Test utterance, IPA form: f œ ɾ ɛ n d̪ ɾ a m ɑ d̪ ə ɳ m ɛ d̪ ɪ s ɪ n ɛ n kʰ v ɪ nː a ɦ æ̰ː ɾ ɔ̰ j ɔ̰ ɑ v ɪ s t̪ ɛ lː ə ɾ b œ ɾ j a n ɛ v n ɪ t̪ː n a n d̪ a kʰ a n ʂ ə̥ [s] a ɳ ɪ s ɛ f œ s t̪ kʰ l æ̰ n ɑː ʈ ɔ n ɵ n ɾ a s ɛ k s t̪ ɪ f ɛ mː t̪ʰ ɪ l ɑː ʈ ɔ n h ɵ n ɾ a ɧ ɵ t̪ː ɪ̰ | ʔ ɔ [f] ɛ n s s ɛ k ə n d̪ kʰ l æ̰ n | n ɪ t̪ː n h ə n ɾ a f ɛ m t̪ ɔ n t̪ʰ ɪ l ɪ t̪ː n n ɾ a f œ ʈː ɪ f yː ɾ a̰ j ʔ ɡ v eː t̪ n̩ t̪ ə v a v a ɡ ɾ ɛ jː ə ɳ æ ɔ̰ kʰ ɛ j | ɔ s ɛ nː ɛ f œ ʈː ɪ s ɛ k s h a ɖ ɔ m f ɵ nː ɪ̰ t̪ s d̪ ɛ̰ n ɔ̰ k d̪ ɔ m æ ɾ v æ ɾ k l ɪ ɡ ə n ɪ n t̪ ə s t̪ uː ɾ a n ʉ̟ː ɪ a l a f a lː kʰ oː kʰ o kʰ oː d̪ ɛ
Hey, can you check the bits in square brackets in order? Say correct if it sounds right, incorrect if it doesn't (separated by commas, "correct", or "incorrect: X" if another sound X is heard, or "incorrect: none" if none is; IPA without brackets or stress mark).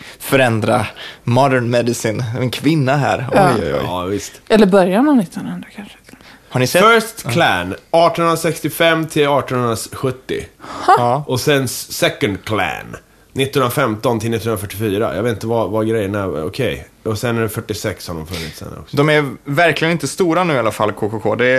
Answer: incorrect: h, incorrect: s